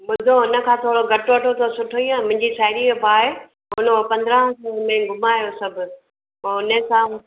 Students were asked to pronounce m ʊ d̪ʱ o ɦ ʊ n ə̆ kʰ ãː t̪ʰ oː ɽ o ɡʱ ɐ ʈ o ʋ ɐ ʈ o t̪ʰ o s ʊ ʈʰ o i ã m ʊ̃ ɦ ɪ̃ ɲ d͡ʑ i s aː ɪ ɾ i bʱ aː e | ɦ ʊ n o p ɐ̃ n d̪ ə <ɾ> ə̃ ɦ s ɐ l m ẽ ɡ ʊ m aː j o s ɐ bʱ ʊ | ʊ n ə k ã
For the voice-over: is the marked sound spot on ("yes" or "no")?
yes